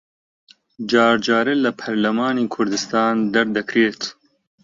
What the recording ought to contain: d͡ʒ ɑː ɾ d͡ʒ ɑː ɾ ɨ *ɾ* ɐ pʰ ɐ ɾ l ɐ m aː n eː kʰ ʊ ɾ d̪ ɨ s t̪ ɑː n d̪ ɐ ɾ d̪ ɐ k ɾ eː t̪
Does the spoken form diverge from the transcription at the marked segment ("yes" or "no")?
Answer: yes